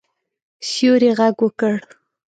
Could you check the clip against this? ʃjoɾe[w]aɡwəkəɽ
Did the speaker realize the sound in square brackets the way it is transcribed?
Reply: no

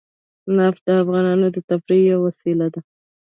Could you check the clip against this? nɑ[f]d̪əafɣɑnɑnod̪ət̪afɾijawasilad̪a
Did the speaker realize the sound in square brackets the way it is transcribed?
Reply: yes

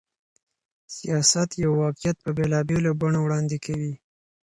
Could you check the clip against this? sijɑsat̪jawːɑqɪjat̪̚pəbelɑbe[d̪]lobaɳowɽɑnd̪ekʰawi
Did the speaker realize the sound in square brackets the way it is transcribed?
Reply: no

